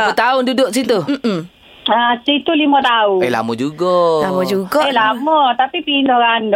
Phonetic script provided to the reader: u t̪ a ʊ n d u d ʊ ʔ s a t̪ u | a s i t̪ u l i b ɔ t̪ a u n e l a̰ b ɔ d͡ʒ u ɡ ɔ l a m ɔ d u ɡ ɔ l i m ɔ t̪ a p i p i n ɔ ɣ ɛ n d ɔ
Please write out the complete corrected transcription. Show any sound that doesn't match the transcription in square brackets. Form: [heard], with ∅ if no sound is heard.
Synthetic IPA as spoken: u t̪ a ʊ n d u d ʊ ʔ s [i] t̪ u | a s i t̪ u l i [m] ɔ t̪ a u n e l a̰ [m] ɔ d͡ʒ u ɡ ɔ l a m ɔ [d͡ʒ] u ɡ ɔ l [a] m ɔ t̪ a p i p i n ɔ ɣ [a] n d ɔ